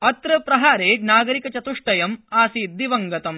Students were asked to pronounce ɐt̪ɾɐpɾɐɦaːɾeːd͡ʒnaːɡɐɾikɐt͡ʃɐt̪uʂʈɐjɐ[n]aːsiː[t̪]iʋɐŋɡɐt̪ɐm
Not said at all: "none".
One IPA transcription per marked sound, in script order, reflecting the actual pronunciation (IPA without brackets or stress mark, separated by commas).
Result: m, d̪